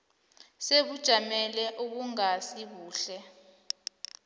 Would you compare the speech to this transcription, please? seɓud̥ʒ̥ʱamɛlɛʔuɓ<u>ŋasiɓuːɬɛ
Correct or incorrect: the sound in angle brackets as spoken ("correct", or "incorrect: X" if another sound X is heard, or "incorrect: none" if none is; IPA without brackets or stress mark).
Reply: correct